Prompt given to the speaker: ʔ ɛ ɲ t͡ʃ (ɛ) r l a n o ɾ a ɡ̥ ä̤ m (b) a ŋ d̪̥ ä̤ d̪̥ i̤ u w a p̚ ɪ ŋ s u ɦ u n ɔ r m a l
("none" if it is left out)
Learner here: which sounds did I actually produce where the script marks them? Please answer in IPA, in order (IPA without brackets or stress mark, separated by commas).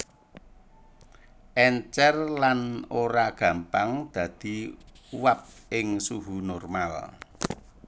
ɛ, p